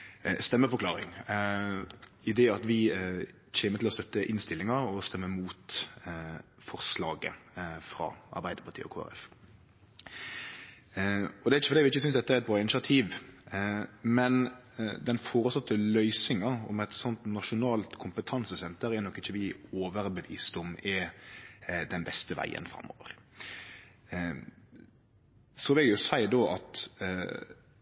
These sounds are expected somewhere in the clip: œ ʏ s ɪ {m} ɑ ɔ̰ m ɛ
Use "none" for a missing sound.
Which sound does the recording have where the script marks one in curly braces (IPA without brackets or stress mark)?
ŋ